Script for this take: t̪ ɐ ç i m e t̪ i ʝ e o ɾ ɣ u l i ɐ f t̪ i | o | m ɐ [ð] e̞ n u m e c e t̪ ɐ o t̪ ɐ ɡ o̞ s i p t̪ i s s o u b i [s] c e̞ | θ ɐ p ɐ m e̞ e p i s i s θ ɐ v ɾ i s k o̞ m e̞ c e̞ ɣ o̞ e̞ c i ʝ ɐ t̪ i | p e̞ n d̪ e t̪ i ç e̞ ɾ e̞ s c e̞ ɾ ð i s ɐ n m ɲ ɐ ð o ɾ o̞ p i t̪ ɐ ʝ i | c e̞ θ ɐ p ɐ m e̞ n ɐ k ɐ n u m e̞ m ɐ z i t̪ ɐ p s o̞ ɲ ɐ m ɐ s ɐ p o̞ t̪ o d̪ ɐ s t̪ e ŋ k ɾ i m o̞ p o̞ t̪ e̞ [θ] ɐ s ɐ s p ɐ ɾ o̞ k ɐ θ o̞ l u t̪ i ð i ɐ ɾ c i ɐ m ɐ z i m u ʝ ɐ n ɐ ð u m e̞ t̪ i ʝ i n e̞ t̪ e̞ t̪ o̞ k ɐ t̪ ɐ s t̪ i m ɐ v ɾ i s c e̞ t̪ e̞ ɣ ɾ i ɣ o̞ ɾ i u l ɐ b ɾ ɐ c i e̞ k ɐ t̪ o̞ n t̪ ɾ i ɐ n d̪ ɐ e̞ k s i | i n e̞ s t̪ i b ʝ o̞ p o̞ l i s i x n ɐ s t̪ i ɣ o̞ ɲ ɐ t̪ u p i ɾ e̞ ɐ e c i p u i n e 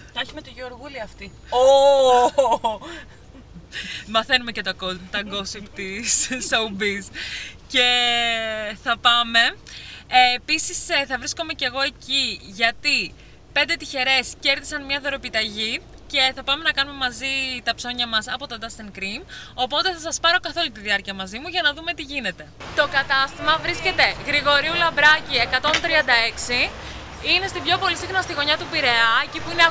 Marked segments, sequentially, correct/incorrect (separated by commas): incorrect, correct, correct